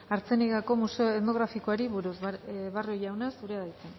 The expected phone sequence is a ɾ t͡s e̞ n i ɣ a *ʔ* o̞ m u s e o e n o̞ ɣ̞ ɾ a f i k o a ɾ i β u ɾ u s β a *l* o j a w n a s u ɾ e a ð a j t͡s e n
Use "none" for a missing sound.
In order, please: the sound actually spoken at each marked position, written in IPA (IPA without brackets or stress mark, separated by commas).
k, r